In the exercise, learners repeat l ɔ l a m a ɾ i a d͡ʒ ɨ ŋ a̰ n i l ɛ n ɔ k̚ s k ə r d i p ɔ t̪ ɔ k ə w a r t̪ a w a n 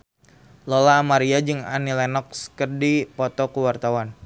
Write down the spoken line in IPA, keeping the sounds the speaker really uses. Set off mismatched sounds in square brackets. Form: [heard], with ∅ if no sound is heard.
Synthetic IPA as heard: l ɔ l a m a ɾ i a d͡ʒ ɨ ŋ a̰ n i l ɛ n ɔ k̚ s k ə r d i p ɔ t̪ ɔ k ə w a r t̪ a w a n